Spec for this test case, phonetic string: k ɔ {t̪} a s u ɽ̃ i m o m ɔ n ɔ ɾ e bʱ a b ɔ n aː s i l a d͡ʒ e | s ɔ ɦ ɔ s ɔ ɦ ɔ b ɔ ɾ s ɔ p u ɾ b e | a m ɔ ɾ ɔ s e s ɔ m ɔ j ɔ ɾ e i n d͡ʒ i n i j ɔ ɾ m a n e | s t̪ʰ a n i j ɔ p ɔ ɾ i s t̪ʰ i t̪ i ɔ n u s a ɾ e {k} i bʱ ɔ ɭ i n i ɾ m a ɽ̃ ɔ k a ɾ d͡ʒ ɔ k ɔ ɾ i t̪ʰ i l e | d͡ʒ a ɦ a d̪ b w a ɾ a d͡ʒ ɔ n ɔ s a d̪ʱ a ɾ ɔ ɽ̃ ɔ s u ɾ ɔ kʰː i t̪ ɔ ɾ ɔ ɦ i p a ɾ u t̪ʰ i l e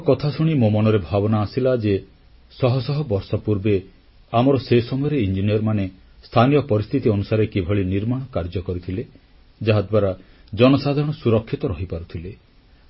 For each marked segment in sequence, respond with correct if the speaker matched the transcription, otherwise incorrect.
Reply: incorrect, correct

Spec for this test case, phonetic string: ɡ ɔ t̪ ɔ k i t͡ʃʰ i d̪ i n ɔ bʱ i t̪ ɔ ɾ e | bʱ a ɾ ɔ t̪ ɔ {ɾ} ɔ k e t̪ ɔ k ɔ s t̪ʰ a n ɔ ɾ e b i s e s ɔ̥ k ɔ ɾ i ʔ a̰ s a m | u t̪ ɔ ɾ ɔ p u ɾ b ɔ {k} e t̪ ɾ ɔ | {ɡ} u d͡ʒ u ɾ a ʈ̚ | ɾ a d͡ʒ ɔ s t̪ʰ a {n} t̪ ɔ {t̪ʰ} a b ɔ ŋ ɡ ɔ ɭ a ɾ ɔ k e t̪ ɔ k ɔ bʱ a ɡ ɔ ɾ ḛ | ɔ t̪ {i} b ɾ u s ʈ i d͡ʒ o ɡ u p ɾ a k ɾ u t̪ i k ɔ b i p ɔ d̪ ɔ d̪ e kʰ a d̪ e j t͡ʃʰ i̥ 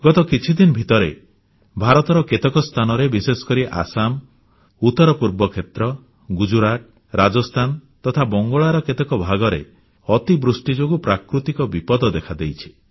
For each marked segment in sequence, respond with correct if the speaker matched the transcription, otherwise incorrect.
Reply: correct, incorrect, correct, correct, correct, correct

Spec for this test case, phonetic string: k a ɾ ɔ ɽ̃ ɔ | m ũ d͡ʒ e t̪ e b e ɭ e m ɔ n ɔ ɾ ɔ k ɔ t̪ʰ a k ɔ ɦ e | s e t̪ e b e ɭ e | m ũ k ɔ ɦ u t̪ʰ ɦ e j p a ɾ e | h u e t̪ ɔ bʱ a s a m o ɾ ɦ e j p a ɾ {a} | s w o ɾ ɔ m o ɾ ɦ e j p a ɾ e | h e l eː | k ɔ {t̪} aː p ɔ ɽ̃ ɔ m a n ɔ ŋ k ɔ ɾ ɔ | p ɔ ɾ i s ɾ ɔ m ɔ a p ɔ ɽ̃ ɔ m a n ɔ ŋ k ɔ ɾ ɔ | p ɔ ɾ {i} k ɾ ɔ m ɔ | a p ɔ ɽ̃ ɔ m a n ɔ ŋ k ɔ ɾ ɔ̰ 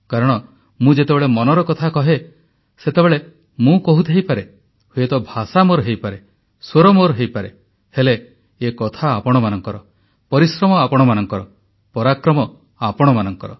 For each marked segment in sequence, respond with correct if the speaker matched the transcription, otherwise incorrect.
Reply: incorrect, incorrect, incorrect

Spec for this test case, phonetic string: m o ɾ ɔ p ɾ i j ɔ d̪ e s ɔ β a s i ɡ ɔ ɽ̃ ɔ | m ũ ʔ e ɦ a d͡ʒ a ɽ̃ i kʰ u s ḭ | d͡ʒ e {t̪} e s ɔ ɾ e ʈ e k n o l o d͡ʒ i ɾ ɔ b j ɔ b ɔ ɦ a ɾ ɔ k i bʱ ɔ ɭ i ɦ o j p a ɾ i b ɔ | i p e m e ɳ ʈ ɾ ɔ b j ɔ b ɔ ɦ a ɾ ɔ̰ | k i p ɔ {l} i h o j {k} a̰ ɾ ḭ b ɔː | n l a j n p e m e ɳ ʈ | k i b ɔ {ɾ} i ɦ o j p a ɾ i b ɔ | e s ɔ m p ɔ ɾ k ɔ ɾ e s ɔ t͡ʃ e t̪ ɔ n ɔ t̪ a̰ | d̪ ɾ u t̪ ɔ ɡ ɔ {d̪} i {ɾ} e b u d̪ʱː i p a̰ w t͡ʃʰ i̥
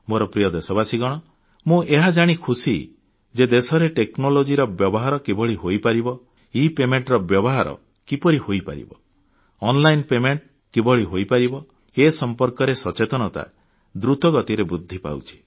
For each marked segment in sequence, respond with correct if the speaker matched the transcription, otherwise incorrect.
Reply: incorrect, incorrect, incorrect, incorrect, incorrect, correct

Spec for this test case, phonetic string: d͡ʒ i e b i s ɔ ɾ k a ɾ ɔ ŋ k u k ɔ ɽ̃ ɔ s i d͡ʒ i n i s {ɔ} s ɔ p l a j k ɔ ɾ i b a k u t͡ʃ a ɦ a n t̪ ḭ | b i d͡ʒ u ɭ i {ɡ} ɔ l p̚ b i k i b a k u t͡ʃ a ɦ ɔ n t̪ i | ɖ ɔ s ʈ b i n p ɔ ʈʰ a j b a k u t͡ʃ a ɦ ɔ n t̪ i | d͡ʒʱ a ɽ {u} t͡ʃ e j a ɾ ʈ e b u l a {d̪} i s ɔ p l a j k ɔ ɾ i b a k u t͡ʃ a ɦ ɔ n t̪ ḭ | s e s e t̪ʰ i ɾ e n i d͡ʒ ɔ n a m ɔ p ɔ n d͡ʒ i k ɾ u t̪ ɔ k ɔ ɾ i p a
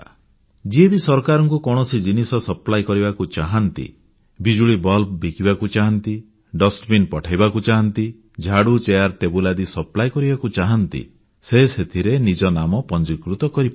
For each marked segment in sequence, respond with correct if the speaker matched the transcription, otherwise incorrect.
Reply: correct, incorrect, correct, correct

